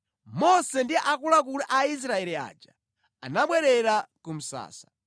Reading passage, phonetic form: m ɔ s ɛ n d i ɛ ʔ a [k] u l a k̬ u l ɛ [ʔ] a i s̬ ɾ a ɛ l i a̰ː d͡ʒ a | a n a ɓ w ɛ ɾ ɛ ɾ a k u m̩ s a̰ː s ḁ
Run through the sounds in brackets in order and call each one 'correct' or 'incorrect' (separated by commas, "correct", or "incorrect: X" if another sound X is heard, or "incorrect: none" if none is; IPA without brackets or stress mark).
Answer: correct, correct